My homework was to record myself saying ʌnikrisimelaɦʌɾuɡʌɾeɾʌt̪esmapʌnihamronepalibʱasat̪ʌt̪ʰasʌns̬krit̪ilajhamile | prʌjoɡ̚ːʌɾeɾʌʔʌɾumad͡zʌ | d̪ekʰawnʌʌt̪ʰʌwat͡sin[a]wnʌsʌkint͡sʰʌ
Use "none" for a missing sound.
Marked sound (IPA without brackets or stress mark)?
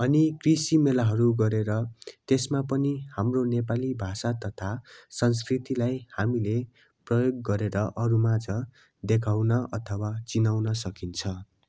a